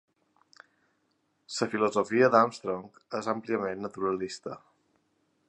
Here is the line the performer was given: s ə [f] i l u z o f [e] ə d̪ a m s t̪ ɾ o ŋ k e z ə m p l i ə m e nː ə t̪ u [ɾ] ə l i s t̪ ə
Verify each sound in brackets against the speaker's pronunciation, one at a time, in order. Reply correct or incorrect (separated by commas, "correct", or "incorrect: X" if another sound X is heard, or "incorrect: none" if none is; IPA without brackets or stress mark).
correct, incorrect: i, correct